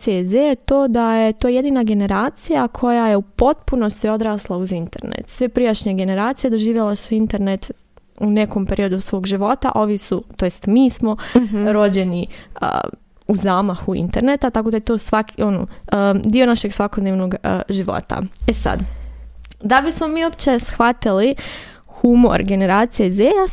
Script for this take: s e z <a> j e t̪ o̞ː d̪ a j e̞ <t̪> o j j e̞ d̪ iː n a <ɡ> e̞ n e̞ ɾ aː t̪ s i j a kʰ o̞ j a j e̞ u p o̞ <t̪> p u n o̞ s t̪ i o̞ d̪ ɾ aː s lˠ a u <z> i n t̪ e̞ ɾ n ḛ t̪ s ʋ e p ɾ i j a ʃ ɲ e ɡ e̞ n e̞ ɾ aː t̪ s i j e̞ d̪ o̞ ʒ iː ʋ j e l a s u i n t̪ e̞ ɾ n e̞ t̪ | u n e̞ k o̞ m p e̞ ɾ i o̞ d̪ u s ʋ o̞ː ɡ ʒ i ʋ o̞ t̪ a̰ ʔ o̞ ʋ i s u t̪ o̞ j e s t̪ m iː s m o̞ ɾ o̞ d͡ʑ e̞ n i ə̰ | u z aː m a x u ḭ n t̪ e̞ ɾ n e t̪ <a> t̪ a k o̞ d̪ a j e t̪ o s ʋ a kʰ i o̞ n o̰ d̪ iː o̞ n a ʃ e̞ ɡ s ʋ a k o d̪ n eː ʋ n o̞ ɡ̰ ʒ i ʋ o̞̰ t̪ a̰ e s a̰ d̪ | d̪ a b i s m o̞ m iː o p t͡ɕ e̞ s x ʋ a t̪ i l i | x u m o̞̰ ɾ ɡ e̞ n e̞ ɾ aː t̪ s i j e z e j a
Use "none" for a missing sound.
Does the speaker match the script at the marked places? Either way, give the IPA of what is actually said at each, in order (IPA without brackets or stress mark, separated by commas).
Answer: e, t̪, ɡ, t̪, z, a